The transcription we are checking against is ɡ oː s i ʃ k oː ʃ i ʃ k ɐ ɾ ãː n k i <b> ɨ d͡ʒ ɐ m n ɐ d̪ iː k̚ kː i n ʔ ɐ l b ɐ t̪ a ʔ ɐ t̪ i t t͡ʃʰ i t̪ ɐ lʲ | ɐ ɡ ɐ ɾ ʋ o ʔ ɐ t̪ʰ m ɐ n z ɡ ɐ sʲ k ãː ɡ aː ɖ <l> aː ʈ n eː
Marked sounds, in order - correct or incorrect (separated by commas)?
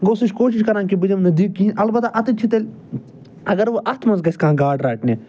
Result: correct, incorrect